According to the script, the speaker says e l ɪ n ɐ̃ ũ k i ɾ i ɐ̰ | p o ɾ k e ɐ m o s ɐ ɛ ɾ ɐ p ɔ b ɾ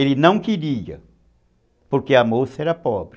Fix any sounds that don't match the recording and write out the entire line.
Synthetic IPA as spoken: e l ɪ n ɐ̃ w̃ k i ɾ i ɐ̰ | p o ɾ k e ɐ m o s ɐ ɛ ɾ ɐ p ɔ b ɾ